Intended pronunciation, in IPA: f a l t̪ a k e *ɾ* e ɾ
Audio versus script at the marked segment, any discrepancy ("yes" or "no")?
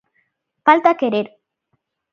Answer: no